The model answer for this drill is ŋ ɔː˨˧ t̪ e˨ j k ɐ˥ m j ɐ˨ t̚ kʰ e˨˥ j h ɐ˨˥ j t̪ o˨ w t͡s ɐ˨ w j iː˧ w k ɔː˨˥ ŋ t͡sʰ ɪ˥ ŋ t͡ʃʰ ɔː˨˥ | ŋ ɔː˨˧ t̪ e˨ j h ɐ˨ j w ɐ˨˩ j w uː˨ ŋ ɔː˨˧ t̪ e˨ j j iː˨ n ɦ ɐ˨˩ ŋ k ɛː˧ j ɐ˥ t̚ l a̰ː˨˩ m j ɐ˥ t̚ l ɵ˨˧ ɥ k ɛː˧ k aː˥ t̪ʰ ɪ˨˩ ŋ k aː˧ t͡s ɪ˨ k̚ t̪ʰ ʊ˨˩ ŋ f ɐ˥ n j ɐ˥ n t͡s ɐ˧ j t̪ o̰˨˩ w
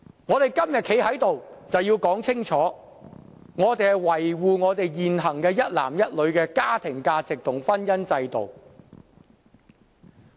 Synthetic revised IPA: ŋ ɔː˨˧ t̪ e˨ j k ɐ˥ m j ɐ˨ t̚ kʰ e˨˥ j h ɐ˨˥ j t̪ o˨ w t͡s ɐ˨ w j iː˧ w k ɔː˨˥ ŋ t͡sʰ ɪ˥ ŋ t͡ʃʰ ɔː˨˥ | ŋ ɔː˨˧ t̪ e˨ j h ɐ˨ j w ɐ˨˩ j w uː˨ ŋ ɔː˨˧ t̪ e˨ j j iː˨ n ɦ ɐ˨˩ ŋ k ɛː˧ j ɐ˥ t̚ l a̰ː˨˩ m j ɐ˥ t̚ l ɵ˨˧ ɥ k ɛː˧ k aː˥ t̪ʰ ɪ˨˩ ŋ k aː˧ t͡s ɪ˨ k̚ t̪ʰ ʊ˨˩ ŋ f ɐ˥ n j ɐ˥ n t͡s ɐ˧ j t̪ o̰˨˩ w